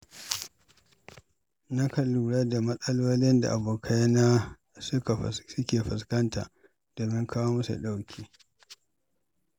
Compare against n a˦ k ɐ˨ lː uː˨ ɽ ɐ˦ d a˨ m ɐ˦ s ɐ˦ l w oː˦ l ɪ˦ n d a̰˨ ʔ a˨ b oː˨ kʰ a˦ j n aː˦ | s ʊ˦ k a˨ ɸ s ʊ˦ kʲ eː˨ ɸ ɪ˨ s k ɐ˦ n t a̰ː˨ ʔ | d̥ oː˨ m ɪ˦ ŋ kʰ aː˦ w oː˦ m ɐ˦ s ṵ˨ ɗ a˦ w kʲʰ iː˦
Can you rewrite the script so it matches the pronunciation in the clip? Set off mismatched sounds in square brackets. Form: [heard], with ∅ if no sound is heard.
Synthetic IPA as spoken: n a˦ k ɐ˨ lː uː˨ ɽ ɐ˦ d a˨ m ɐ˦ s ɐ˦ l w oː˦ l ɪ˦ n d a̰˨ ʔ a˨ b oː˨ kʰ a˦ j n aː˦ | s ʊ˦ k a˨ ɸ s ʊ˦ kʲ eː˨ ɸ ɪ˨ s k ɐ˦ n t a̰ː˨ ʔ | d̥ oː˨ m ɪ˦ ŋ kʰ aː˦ w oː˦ m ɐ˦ s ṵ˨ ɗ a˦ w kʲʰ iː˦